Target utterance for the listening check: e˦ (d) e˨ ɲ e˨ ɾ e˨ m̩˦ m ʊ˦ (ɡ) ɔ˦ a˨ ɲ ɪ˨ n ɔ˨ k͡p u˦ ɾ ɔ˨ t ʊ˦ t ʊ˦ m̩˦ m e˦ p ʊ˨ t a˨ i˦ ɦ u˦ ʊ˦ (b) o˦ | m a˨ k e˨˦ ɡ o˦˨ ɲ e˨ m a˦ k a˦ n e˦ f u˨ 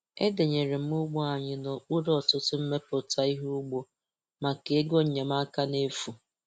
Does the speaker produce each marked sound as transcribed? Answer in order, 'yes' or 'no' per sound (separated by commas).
yes, no, no